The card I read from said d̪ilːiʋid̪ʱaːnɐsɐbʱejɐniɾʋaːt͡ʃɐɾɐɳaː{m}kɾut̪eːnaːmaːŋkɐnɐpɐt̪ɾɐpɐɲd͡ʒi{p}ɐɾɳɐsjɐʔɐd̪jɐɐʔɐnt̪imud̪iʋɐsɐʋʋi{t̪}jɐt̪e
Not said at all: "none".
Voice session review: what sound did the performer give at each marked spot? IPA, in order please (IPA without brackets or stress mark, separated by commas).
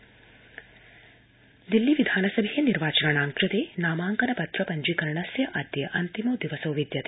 ŋ, k, d̪